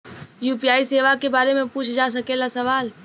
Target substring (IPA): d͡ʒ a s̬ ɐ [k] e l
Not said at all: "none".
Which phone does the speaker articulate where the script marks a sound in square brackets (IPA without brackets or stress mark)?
k